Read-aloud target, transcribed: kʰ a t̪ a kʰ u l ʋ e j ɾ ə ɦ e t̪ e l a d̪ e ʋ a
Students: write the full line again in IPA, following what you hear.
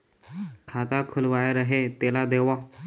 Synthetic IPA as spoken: kʰ a t̪ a kʰ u l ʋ a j ɾ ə ɦ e t̪ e l a d̪ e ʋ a